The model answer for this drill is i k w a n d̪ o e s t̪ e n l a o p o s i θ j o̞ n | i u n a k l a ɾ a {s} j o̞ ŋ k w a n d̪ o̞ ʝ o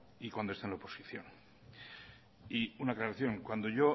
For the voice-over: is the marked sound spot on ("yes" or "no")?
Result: no